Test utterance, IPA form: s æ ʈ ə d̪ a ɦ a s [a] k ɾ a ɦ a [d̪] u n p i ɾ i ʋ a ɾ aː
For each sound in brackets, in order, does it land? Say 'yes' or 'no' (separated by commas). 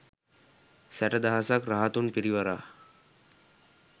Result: yes, no